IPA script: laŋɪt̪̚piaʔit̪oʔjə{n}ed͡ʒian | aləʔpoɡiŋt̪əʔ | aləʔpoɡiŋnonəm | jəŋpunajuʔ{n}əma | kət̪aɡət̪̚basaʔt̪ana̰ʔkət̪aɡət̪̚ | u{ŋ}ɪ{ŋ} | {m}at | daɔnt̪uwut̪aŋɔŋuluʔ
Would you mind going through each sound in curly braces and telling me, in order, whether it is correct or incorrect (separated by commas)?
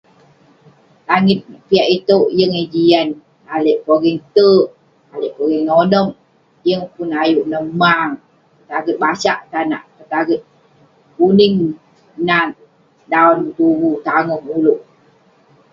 incorrect, correct, incorrect, correct, incorrect